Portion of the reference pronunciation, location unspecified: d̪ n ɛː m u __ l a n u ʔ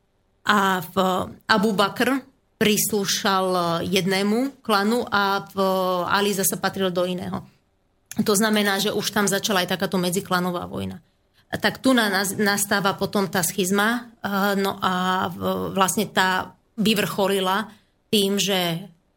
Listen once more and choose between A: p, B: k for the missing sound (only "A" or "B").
B